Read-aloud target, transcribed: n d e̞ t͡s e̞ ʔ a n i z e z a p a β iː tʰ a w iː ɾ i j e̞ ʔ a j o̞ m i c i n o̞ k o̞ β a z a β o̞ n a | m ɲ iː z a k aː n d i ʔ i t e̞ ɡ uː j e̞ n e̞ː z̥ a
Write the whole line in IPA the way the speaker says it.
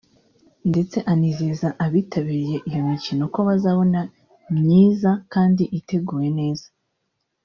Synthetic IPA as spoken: n d e̞ t͡s e̞ ʔ a n i z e z a ʔ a β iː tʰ a β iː ɾ i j e̞ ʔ i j o̞ m i c i n o̞ k o̞ β a z a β o̞ n a | m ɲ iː z a k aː n d i ʔ i t e̞ ɡ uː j e̞ n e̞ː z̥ a